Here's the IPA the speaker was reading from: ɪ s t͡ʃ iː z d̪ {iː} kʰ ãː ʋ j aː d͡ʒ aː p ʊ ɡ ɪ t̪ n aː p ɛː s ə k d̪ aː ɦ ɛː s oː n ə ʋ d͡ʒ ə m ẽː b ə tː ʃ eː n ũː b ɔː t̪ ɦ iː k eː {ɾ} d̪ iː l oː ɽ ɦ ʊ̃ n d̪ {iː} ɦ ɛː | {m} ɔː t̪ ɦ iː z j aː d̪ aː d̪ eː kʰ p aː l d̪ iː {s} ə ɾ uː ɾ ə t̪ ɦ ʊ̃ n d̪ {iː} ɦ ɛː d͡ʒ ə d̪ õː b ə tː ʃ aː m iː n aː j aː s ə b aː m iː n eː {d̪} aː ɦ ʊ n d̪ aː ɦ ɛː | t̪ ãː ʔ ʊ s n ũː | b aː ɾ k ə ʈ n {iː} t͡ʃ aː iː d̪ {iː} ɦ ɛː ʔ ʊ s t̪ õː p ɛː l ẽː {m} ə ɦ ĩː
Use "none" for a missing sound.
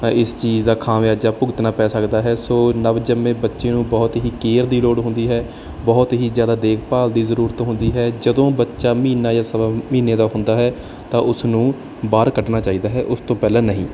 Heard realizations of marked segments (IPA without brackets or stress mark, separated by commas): aː, ɾ, iː, b, z, iː, d̪, aː, aː, n